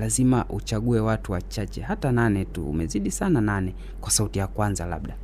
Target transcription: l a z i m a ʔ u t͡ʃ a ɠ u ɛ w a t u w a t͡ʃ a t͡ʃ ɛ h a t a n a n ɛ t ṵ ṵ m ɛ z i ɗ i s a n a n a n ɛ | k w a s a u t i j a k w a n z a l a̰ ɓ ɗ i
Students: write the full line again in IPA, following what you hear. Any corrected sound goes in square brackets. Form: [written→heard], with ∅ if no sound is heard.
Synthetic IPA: l a z i m a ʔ u t͡ʃ a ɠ u ɛ w a t u w a t͡ʃ a t͡ʃ ɛ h a t a n a n ɛ t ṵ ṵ m ɛ z i ɗ i s a n a n a n ɛ | k w a s a u t i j a k w a n z a l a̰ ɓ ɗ [i→a]